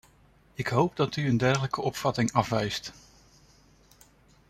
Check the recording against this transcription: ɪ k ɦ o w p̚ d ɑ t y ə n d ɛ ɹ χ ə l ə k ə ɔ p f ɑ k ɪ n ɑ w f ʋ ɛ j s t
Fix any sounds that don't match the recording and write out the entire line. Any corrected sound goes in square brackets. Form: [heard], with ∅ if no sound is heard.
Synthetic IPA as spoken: ɪ k ɦ o w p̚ d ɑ t y ə n d ɛ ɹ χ ə l ə k ə ɔ p f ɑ [t] ɪ [ŋ] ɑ [∅] f ʋ ɛ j s t